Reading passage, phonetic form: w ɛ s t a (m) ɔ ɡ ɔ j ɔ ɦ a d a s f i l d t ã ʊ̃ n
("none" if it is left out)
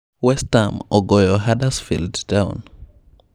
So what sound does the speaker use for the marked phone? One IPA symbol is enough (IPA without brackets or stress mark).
m